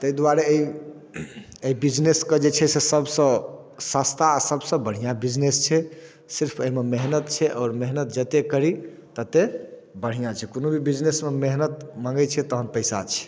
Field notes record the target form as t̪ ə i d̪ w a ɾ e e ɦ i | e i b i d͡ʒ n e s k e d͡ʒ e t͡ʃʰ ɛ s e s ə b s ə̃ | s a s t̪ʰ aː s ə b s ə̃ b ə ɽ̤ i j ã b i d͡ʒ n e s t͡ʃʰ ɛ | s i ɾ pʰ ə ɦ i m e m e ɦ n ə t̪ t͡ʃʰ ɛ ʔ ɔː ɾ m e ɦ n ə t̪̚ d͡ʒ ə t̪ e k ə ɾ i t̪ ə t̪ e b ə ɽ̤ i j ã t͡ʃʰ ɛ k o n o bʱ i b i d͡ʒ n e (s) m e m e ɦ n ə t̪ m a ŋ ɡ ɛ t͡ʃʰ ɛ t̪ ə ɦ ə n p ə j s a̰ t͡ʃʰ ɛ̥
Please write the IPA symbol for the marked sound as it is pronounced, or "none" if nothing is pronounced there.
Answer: s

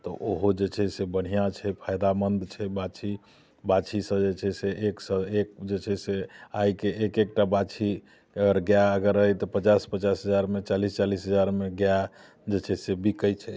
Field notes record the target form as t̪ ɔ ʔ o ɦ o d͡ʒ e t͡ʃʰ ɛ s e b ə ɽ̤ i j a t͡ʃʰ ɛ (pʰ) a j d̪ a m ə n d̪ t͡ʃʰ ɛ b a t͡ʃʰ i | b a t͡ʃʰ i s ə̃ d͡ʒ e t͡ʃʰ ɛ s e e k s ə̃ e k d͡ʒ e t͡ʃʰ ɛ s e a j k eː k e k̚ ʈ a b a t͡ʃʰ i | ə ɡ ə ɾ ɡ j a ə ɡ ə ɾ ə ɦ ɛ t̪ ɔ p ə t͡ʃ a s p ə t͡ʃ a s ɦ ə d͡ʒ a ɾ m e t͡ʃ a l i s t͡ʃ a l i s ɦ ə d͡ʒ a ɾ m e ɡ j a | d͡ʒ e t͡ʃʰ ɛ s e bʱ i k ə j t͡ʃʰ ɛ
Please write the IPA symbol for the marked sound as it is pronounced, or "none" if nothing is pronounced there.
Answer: pʰ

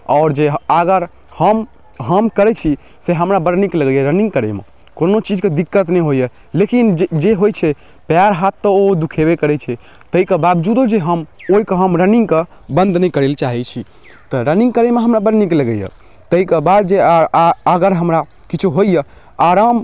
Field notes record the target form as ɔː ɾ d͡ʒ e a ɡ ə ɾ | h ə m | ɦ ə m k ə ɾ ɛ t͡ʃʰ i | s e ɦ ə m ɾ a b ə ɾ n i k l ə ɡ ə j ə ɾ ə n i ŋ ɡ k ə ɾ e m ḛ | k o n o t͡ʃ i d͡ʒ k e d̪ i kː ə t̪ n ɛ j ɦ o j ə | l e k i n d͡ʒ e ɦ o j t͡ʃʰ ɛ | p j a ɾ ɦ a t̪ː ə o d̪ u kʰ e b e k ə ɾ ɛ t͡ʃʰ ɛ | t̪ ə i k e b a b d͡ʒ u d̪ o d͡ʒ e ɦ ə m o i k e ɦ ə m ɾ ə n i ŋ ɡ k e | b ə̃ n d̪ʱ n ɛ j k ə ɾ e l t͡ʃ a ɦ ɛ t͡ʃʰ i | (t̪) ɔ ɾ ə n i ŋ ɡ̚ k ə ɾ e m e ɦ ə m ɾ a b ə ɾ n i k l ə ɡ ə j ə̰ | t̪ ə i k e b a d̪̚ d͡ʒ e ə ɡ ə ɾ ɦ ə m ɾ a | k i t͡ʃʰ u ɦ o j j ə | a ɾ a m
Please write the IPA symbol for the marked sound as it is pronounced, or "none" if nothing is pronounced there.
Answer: t̪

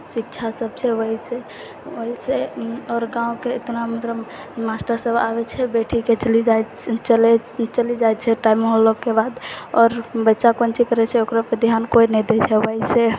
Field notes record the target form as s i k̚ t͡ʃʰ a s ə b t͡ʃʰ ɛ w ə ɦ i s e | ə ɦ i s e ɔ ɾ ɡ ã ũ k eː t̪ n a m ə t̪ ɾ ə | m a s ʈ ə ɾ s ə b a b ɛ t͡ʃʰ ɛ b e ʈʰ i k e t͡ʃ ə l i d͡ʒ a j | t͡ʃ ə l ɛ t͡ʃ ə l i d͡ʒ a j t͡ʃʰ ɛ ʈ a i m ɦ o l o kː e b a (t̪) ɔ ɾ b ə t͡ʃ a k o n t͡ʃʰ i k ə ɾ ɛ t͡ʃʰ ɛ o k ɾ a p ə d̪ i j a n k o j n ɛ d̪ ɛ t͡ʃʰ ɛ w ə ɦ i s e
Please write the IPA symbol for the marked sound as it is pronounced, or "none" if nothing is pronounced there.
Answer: d̪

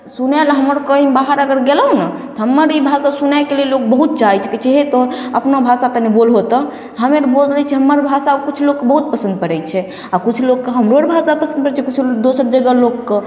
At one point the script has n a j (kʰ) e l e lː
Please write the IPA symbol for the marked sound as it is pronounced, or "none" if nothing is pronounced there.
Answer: k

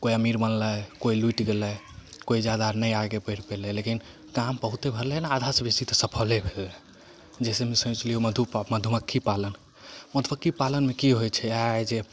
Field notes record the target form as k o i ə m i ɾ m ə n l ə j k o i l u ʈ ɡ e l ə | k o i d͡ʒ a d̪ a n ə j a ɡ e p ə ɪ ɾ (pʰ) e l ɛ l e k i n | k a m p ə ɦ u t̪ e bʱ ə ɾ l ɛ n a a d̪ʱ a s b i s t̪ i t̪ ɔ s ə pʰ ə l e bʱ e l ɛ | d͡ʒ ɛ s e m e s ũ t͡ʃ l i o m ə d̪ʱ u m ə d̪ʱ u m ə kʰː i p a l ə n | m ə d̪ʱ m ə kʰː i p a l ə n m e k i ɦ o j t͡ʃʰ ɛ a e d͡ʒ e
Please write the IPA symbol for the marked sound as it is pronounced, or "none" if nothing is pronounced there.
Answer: p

